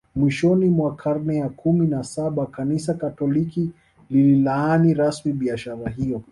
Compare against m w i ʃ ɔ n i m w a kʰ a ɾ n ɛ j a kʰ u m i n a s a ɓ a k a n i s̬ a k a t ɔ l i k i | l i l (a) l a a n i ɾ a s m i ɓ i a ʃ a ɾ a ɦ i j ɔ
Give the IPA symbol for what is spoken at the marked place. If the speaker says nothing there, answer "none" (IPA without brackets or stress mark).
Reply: i